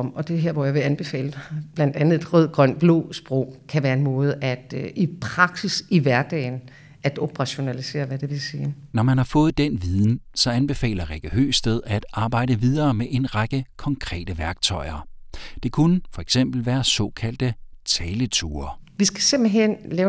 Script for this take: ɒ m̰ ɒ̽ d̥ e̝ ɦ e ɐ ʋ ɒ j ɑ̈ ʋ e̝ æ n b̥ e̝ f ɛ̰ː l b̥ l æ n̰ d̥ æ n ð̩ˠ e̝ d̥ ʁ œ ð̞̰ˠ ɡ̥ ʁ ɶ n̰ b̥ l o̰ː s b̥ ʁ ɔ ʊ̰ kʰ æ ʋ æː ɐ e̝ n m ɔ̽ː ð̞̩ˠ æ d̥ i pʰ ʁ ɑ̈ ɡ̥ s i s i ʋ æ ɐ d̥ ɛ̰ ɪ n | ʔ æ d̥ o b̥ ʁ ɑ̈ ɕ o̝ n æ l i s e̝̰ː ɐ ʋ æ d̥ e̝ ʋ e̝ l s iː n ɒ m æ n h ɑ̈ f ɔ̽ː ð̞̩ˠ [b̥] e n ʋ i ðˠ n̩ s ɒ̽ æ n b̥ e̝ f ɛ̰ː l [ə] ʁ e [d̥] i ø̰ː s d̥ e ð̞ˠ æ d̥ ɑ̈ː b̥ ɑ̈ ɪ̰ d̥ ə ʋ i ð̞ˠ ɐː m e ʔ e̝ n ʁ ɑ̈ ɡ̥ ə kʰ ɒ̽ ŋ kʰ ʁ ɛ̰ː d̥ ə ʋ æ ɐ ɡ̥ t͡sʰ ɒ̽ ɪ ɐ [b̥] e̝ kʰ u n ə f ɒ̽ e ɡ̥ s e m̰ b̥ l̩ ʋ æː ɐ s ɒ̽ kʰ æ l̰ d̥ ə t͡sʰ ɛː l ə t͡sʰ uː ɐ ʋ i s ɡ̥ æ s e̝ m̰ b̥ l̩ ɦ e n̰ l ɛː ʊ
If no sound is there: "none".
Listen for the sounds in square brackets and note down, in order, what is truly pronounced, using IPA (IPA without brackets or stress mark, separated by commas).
d̥, ɐ, ɡ̥, d̥